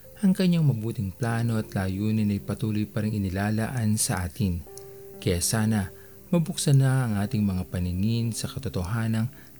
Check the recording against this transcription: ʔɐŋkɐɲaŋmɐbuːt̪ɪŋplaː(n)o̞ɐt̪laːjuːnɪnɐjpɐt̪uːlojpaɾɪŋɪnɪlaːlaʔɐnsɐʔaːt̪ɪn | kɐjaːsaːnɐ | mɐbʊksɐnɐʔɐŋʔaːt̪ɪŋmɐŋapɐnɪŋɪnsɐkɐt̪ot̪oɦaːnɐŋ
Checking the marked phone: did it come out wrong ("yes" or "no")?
no